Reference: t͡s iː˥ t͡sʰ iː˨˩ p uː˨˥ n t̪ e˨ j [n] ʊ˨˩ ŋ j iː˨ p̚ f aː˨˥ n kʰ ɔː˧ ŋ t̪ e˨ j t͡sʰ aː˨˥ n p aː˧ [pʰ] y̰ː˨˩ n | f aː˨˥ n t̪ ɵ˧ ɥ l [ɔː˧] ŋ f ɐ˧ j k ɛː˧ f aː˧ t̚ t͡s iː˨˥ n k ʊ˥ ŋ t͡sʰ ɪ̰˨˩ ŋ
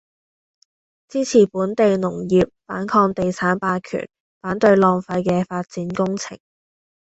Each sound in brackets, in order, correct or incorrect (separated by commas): correct, incorrect, correct